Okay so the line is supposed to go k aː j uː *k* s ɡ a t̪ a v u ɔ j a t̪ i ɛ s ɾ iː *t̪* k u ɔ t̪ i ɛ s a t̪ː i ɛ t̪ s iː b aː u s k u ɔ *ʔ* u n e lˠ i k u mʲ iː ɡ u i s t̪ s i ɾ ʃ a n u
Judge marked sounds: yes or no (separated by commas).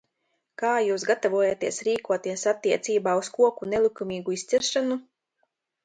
no, no, no